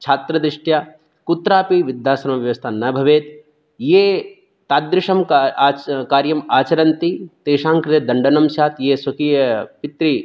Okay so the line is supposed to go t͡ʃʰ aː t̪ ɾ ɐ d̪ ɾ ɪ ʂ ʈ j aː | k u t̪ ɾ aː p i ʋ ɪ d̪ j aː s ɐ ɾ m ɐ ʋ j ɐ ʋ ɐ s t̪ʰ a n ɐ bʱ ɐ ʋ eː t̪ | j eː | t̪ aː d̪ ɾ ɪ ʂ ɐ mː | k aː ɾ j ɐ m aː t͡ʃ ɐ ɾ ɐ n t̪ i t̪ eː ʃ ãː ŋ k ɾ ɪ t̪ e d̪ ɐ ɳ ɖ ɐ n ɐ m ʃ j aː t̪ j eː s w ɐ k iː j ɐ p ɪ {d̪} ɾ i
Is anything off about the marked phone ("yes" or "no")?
yes